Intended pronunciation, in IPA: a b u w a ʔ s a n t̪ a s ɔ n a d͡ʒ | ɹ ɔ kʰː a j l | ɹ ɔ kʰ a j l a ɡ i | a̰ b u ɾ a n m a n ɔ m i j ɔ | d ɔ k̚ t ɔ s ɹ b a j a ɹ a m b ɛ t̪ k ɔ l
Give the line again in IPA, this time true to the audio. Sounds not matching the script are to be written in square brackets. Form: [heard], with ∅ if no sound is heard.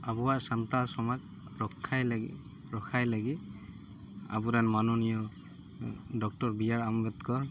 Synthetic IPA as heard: a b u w a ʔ s a n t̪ a s ɔ [m] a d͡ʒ | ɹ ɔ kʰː a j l | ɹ ɔ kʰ a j l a ɡ i | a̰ b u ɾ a n m a n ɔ [n] i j ɔ | d ɔ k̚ t ɔ [∅] ɹ b [i] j a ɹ a m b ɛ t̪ k ɔ [ɹ]